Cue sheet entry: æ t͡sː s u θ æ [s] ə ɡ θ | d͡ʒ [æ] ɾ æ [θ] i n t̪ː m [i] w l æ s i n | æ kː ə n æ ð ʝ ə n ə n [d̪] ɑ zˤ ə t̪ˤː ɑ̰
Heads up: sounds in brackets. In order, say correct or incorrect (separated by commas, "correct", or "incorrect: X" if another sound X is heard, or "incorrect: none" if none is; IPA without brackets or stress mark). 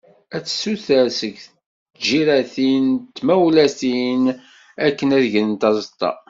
correct, incorrect: i, correct, incorrect: æ, incorrect: t̪